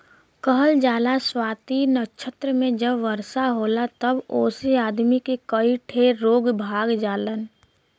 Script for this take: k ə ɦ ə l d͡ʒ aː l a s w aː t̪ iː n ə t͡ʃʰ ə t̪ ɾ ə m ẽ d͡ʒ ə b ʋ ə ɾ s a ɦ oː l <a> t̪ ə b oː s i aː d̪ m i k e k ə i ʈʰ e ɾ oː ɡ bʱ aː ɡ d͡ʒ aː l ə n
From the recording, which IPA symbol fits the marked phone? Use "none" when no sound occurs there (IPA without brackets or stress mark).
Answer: a